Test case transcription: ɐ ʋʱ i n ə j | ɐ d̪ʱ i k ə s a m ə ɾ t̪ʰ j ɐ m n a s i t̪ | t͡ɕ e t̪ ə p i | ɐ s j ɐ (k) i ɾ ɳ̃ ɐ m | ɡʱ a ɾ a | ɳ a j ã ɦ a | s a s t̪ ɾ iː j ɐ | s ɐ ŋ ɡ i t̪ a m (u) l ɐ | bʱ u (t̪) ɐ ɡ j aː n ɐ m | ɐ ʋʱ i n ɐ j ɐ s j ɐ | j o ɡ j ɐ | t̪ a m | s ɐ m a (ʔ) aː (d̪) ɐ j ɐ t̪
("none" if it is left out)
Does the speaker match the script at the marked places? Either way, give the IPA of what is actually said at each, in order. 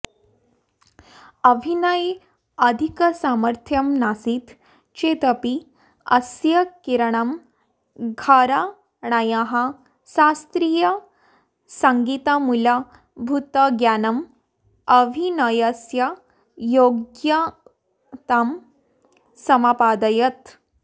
k, u, t̪, p, d̪

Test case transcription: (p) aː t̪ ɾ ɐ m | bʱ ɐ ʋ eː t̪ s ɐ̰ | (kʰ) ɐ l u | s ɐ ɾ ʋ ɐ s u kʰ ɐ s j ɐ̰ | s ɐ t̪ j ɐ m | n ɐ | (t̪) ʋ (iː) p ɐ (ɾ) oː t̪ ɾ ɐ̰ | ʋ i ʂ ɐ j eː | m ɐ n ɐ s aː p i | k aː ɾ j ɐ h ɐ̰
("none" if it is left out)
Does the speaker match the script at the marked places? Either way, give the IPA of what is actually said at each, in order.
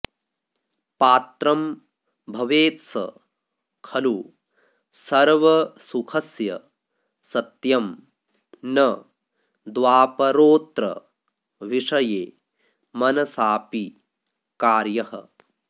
p, kʰ, d̪, aː, ɾ

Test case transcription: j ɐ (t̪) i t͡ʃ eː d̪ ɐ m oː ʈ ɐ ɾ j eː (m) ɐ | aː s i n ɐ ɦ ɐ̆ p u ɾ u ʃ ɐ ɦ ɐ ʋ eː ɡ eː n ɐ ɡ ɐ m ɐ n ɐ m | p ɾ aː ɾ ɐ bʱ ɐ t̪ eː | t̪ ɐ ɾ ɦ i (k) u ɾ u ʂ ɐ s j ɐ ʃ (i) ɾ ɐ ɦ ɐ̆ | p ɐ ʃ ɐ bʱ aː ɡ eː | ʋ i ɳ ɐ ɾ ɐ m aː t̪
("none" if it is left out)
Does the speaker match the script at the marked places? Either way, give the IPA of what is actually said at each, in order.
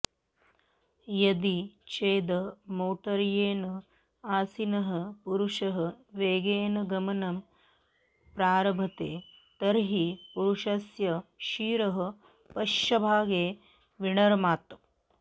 d̪, n, p, iː

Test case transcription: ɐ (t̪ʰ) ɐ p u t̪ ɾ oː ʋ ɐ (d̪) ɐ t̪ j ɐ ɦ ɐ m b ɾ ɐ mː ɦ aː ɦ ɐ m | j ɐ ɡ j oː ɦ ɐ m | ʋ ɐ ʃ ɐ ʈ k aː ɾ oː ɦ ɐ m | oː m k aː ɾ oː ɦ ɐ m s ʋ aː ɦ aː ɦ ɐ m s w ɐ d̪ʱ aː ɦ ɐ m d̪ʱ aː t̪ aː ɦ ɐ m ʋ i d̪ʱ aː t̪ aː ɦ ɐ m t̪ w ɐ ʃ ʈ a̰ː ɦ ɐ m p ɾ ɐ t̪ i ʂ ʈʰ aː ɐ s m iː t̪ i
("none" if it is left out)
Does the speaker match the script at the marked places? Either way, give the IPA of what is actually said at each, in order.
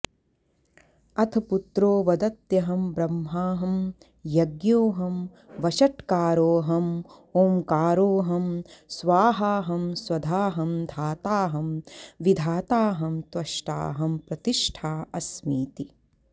t̪ʰ, d̪

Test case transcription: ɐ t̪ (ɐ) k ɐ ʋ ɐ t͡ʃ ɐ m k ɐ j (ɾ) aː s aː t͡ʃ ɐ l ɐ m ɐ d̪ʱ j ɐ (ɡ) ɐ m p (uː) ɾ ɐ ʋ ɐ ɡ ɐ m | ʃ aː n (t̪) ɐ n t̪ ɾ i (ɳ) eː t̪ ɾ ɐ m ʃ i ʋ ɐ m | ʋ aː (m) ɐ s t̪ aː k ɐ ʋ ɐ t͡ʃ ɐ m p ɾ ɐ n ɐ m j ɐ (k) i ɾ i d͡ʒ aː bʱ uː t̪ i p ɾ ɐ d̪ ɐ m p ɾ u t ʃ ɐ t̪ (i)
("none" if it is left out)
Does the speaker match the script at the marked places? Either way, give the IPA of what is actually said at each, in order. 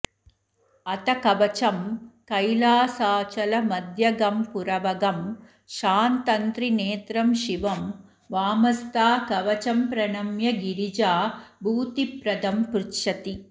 ɐ, l, ɡ, u, t̪, n, m, ɡ, i

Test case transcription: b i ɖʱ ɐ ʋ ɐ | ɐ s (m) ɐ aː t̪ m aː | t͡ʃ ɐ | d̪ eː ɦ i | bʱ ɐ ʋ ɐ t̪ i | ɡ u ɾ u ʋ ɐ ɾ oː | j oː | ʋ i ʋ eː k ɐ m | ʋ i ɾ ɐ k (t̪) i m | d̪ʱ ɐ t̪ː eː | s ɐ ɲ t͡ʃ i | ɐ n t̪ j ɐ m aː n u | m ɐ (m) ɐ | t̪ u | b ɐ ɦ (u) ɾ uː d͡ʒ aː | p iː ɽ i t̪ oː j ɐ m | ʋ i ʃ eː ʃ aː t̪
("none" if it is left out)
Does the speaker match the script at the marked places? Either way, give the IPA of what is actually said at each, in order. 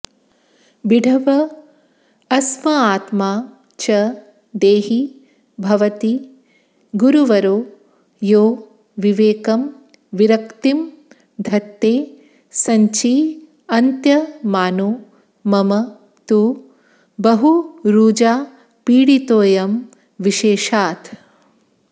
m, t̪, m, u

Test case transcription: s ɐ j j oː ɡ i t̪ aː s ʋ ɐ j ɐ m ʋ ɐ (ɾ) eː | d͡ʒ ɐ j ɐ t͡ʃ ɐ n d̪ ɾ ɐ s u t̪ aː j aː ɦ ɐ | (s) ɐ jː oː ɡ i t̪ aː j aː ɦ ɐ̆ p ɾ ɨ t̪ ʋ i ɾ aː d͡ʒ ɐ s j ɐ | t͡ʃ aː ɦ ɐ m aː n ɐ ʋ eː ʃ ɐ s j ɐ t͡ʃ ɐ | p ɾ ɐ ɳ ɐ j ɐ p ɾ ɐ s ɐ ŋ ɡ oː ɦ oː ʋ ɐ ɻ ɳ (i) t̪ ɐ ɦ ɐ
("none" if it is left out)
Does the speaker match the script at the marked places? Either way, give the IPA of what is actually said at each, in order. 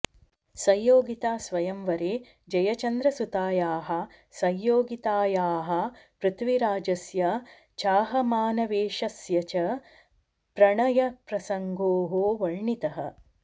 ɾ, s, i

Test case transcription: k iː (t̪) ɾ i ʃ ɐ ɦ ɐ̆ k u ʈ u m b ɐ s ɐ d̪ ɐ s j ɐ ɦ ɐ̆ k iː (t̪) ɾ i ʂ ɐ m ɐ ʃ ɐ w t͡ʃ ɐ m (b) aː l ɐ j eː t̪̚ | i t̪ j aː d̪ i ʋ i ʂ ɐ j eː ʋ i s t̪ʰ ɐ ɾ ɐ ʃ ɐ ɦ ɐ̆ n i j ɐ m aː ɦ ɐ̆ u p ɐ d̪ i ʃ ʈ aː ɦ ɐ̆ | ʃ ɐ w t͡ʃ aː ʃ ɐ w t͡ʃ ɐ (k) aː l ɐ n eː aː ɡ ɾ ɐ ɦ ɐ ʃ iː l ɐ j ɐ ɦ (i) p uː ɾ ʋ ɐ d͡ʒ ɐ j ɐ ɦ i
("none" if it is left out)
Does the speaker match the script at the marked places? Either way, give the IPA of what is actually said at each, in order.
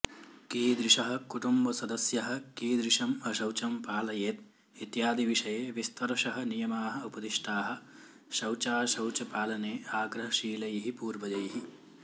d̪, d̪, p, p, i

